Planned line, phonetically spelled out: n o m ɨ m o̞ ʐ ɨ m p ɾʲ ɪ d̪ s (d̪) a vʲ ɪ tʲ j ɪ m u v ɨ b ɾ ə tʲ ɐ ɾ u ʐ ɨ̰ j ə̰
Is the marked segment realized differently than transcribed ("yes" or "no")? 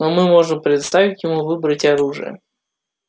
yes